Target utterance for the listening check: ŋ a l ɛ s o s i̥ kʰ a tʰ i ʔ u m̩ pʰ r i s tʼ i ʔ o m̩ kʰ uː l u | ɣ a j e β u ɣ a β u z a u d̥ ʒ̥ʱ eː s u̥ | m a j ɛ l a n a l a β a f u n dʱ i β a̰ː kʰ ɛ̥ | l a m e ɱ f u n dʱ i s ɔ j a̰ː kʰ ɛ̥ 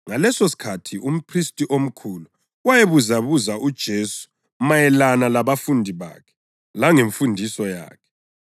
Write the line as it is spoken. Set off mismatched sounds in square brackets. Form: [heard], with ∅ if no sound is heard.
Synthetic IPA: ŋ a l ɛ s o s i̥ kʰ a tʰ i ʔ u m̩ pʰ r i s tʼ i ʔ o m̩ kʰ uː l u | [w] a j e β u [z] a β u z a u d̥ ʒ̥ʱ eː s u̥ | m a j ɛ l a n a l a β a f u n dʱ i β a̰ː kʰ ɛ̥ | l a [ŋ] e ɱ f u n dʱ i s ɔ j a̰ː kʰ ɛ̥